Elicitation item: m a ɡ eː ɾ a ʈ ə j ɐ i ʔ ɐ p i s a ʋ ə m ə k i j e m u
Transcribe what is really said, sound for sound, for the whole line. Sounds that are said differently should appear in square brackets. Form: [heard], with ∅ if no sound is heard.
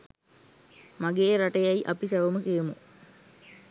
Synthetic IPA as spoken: m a ɡ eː ɾ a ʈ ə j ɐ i ʔ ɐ p i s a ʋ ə m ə k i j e m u